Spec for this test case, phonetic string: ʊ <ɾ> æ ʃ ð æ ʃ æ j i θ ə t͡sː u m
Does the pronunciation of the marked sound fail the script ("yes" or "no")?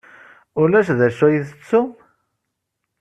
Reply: yes